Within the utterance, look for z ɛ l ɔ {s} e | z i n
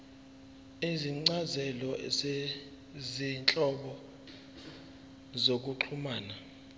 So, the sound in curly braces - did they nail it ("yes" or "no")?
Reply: no